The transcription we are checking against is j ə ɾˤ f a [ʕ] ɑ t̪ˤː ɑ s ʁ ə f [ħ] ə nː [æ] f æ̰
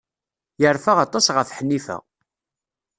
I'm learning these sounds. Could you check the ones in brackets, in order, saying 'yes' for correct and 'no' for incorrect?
no, yes, no

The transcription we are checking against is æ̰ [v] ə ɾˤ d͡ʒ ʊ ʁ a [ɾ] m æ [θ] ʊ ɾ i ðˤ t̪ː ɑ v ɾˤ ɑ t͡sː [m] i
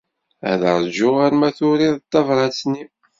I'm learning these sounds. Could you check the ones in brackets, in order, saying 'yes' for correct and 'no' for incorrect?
no, yes, yes, no

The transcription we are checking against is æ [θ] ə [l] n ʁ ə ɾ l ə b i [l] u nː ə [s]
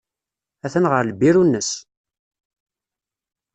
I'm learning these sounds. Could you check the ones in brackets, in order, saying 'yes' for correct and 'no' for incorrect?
yes, no, no, yes

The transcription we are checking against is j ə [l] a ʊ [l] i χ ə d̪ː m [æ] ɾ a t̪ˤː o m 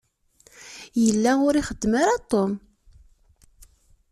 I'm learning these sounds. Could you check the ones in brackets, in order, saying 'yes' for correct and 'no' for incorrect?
no, no, no

